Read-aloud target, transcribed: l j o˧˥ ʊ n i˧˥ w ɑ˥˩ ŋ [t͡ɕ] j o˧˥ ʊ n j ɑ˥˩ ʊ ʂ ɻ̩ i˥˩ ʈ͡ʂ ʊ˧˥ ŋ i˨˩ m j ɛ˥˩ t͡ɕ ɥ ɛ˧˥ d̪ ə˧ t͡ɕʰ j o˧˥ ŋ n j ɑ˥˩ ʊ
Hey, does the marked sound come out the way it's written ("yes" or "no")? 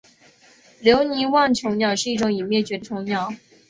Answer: no